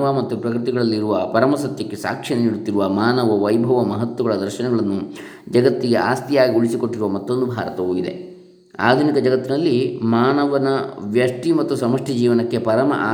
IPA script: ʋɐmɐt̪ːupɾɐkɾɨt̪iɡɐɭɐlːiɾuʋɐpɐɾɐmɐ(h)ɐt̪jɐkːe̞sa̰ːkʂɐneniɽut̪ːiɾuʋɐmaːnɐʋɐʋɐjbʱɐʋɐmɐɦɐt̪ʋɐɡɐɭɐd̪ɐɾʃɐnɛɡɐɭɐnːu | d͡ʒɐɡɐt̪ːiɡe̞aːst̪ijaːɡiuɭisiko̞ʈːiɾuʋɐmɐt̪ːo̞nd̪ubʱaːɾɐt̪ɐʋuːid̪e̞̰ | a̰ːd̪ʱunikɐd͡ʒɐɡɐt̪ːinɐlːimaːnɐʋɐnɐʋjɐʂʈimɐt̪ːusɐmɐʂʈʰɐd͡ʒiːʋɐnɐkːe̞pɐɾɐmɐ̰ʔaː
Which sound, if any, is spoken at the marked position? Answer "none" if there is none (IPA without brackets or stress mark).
s